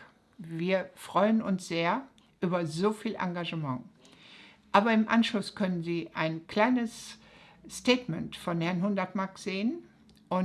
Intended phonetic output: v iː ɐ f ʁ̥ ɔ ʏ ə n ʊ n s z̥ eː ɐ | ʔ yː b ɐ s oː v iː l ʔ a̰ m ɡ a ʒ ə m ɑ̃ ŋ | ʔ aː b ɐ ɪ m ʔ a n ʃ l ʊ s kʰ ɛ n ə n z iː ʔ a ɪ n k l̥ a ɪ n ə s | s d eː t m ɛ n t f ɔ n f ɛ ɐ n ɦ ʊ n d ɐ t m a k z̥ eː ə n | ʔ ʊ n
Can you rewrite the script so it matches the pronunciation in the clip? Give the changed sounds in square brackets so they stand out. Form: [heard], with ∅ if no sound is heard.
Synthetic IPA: v iː ɐ f ʁ̥ ɔ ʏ ə n ʊ n s z̥ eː ɐ | ʔ yː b ɐ [z] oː [f] iː l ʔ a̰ [ŋ] ɡ a ʒ ə m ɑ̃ ŋ | ʔ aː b ɐ ɪ m ʔ a n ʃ l ʊ s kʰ [œ] n ə n z iː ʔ a ɪ n k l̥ a ɪ n ə s | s [t] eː t m ɛ n t f ɔ n [h] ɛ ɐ n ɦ ʊ n d ɐ t m a k z̥ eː ə n | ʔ ʊ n